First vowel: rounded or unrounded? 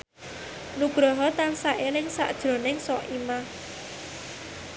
rounded